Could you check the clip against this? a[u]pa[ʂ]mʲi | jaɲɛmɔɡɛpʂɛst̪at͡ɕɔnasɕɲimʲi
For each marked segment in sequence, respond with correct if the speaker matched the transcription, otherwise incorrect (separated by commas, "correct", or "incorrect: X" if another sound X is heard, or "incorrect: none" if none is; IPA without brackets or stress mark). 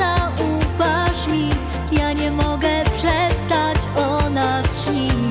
correct, correct